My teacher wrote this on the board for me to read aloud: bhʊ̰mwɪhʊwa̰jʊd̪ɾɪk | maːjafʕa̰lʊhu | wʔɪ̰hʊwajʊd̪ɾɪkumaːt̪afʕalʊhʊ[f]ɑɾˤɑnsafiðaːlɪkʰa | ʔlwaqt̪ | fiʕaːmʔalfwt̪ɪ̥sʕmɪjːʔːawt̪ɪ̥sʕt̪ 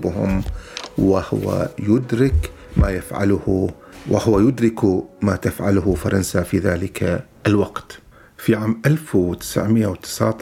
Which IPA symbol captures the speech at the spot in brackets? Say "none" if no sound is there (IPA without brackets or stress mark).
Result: f